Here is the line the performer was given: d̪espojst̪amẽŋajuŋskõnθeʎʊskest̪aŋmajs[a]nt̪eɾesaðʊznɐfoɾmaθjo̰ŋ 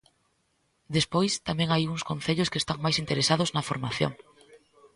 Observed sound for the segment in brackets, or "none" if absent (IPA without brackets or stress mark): i